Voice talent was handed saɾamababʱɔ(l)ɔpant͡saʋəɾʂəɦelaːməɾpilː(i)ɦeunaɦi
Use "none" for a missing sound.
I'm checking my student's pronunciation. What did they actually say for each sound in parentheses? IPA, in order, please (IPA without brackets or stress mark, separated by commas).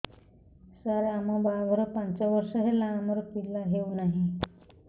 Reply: ɾ, a